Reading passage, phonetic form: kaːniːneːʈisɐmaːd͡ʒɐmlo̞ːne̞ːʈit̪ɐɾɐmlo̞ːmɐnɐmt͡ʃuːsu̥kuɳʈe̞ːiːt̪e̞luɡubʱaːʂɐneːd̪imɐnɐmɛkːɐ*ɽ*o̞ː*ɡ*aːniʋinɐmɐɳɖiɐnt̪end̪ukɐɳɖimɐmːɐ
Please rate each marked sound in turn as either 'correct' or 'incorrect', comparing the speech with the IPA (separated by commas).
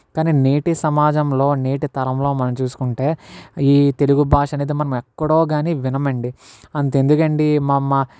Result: correct, correct